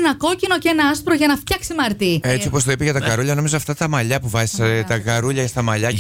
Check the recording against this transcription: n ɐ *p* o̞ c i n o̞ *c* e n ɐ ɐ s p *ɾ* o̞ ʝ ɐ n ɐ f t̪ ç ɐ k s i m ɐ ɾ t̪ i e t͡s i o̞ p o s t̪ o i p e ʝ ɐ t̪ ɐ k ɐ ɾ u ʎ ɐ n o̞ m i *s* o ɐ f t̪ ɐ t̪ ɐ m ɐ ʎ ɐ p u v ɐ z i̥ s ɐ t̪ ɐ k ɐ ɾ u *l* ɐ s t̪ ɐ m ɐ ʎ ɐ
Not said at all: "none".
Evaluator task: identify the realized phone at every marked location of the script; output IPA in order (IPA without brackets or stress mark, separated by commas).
k, c, ɾ, z, ʎ